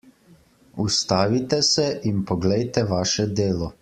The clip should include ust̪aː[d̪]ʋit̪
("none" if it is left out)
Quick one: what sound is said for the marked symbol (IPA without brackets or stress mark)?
none